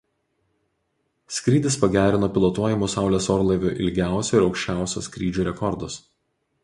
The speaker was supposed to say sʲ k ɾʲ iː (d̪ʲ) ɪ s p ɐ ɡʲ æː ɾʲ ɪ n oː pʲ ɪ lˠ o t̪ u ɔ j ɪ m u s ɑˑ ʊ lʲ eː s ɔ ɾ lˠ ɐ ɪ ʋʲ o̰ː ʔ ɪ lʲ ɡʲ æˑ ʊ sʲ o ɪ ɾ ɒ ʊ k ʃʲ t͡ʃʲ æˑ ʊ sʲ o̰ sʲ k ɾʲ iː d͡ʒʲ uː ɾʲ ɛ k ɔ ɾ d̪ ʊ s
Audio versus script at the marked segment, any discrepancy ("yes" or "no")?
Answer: no